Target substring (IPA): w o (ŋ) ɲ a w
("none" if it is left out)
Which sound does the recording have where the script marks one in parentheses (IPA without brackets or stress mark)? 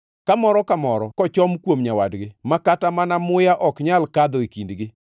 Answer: m